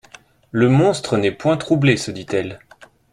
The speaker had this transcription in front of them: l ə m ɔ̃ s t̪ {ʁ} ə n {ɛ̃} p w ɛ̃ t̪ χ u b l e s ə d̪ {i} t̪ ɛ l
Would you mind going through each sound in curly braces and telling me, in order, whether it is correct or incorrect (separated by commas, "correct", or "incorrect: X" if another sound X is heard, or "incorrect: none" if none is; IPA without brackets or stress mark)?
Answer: incorrect: χ, incorrect: ɛ, correct